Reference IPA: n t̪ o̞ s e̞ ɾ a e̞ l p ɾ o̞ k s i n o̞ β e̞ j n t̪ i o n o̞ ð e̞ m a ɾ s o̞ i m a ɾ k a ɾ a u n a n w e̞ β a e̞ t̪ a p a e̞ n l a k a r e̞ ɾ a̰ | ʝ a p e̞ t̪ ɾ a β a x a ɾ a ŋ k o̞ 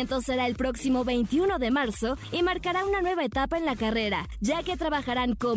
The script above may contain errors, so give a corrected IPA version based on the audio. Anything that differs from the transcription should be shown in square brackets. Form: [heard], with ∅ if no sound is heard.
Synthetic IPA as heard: n t̪ o̞ s e̞ ɾ a e̞ l p ɾ o̞ k s i [m] o̞ β e̞ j n t̪ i [u] n o̞ ð e̞ m a ɾ s o̞ i m a ɾ k a ɾ a u n a n w e̞ β a e̞ t̪ a p a e̞ n l a k a r e̞ ɾ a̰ | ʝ a [k] e̞ t̪ ɾ a β a x a ɾ a ŋ k o̞